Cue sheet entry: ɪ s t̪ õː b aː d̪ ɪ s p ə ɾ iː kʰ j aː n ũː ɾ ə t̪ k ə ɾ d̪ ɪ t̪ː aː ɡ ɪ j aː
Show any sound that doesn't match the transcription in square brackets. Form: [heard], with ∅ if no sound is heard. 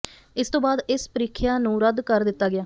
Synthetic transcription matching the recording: ɪ s t̪ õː b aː d̪ ɪ s p ə ɾ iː kʰ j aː n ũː ɾ ə [d̪] k ə ɾ d̪ ɪ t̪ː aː ɡ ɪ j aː